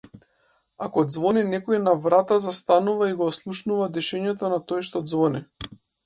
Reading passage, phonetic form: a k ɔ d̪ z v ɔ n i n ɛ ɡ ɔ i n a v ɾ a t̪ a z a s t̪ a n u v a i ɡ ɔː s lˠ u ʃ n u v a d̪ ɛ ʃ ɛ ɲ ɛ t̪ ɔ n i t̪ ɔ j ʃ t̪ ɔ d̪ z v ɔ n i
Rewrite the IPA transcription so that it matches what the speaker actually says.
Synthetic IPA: a k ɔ d̪ z v ɔ n i n ɛ k ɔ i n a v ɾ a t̪ a z a s t̪ a n u v a i ɡ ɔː s lˠ u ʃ n u v a d̪ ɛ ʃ ɛ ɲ ɛ t̪ ɔ n a t̪ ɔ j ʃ t̪ ɔ d̪ z v ɔ n i